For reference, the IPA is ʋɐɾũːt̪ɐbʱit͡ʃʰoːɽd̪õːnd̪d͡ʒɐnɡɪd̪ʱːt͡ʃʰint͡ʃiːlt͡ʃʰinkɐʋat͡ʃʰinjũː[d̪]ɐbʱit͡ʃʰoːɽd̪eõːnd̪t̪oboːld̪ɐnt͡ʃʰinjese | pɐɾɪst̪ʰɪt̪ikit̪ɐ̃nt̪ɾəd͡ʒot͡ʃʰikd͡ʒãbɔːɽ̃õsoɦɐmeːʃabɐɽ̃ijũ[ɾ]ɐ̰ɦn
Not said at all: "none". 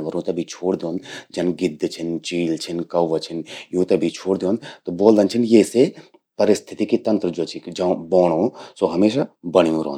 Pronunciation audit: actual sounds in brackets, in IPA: t̪, ɾ

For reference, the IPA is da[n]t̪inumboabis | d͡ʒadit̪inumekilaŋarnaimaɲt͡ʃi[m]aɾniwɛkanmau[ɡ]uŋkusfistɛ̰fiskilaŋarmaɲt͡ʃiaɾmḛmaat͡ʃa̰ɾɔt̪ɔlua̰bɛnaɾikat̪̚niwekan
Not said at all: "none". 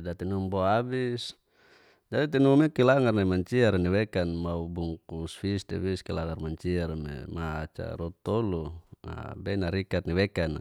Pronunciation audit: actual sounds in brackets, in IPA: none, none, b

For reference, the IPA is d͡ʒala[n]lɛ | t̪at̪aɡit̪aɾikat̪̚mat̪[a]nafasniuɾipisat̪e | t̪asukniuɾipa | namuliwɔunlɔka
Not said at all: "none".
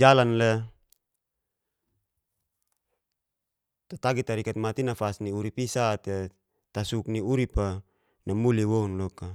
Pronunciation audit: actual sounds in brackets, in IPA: n, i

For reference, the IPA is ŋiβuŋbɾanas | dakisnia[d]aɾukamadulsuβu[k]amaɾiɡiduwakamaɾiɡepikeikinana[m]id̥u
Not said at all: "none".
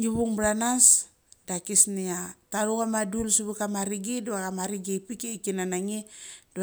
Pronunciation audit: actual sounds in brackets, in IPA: t, k, ŋ

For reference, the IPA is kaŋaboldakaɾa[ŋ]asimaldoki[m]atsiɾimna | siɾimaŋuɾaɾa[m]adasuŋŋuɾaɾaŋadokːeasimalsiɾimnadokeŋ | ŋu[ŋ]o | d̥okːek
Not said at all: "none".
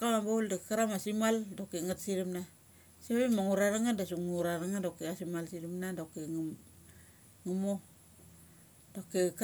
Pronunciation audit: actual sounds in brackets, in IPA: m, ŋ, ŋ, m

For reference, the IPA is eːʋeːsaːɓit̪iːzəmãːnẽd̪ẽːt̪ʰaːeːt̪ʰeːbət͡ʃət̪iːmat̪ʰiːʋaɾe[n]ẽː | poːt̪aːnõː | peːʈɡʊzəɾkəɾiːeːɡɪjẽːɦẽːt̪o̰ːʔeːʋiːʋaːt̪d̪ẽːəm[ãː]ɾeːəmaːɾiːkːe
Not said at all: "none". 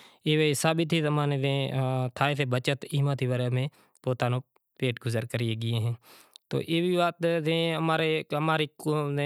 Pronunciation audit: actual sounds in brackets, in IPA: m, aː

